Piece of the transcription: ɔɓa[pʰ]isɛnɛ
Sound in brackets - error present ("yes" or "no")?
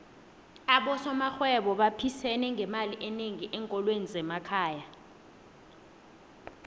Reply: no